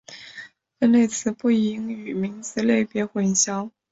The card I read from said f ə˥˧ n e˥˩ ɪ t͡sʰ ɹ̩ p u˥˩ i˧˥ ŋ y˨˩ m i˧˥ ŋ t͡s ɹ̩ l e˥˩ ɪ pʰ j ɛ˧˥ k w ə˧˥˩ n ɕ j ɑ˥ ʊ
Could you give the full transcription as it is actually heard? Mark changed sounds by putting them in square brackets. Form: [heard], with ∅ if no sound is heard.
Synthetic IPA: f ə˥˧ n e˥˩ ɪ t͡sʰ ɹ̩ p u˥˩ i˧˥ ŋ y˨˩ m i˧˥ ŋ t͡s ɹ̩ l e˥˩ ɪ [p] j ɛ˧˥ [x] w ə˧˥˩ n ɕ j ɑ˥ ʊ